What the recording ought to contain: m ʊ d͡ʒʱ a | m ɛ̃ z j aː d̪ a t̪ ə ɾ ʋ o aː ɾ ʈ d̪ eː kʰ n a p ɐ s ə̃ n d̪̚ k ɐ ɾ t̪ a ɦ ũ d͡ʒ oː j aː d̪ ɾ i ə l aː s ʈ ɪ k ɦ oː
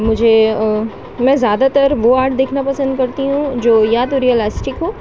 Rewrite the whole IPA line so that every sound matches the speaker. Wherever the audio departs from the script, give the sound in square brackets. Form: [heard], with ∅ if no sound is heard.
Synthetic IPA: m ʊ d͡ʒʱ [e] | m ɛ̃ z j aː d̪ a t̪ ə ɾ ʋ o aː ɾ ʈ d̪ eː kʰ n a p ɐ s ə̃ n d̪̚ k ɐ ɾ t̪ [i] ɦ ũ d͡ʒ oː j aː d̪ ɾ i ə l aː s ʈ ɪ k ɦ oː